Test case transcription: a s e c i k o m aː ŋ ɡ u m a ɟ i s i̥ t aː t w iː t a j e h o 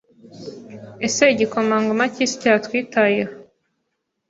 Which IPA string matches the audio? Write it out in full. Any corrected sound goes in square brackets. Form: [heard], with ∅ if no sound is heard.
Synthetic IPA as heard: [e] s e [ɟ] i k o m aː ŋ ɡ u m a [c] i s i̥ [c] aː t w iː t a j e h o